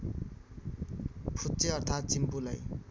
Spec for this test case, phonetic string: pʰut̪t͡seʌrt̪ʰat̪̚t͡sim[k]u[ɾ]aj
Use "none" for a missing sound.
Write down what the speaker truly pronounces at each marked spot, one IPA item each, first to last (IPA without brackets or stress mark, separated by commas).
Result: p, l